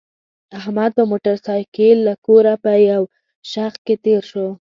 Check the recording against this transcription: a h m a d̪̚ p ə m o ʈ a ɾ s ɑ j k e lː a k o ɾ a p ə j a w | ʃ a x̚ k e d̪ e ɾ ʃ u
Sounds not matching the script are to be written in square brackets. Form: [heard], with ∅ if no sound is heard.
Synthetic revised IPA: a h m a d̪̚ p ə m o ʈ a ɾ s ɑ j k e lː a k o ɾ a p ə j a w | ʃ a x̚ k e [t̪] e ɾ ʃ [o]